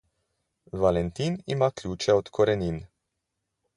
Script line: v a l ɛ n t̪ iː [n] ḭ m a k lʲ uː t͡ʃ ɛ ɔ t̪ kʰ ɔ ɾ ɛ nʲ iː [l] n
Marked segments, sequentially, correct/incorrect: correct, incorrect

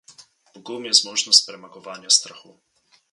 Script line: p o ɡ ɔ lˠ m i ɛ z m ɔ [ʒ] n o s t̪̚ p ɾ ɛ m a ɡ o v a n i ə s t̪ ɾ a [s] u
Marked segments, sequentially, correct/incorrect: correct, incorrect

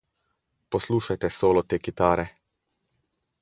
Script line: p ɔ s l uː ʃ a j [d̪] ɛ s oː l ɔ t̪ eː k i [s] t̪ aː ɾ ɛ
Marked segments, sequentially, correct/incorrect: incorrect, incorrect

